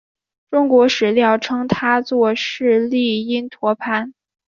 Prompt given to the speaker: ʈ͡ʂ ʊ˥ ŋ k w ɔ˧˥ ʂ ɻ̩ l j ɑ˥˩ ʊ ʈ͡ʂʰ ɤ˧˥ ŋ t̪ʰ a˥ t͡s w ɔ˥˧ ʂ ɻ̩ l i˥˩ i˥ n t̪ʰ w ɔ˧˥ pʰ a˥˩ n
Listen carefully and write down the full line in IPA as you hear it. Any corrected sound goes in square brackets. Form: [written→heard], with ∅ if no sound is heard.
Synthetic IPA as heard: ʈ͡ʂ ʊ˥ ŋ k w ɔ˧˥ ʂ ɻ̩ l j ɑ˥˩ ʊ ʈ͡ʂʰ [ɤ˧˥→ɤ˥] ŋ t̪ʰ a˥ t͡s w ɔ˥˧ ʂ ɻ̩ l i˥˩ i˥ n t̪ʰ w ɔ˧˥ pʰ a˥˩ n